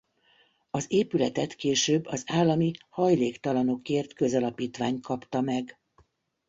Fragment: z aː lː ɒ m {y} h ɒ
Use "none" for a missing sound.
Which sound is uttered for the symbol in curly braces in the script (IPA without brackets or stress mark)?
i